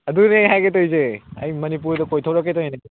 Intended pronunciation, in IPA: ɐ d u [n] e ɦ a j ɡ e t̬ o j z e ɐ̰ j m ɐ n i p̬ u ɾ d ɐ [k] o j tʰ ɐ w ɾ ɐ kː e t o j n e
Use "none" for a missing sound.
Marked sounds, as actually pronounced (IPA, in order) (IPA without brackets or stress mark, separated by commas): n, k